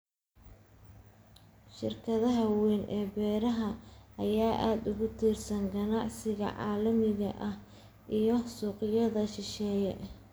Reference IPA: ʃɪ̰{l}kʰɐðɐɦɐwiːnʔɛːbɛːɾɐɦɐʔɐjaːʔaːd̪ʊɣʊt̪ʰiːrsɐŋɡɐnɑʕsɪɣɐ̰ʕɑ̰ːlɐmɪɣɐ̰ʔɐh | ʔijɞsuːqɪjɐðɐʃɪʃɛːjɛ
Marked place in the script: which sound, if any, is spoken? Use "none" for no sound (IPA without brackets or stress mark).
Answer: r